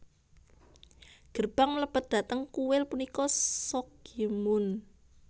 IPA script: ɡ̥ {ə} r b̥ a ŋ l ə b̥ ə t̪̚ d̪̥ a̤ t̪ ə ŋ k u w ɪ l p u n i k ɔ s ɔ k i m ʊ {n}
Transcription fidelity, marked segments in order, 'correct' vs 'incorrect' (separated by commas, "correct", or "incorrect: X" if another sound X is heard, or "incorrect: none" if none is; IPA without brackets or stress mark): correct, correct